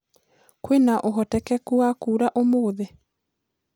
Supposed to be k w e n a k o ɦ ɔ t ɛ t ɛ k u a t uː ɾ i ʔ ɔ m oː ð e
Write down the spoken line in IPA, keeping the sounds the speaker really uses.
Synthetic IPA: k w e n a ʔ o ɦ ɔ t ɛ k ɛ k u a k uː ɾ a ʔ o m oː ð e

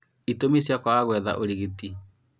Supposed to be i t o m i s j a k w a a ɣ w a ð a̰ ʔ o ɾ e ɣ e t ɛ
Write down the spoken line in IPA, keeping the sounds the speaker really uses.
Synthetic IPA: i t o m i s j a k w a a ɣ w ɛ ð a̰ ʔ o ɾ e ɣ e t i

